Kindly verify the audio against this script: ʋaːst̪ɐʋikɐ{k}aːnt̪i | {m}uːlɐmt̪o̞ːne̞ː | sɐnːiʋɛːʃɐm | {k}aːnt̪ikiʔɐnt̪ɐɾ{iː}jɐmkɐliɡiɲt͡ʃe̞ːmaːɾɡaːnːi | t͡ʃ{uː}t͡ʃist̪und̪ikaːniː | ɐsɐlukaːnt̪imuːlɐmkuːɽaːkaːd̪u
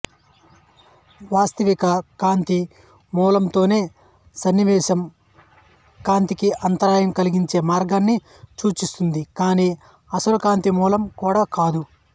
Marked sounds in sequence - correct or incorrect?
correct, correct, correct, incorrect: aː, correct

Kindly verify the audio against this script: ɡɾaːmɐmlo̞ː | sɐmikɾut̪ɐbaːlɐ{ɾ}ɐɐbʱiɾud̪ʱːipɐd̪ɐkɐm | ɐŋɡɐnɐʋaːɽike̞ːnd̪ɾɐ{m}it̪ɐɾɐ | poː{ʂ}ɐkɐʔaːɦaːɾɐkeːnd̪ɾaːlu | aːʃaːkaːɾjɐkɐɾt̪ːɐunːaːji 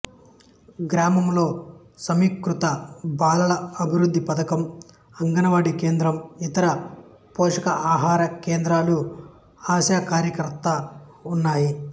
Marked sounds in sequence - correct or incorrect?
incorrect: l, correct, correct

